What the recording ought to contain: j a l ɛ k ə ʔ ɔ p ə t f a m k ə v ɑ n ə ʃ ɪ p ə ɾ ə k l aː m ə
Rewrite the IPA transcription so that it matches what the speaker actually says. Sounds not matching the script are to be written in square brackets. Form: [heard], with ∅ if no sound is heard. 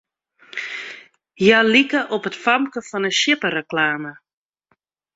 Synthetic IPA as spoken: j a l [i] k ə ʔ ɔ p ə t f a m k ə [f] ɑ n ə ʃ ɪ p ə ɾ ə k l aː m ə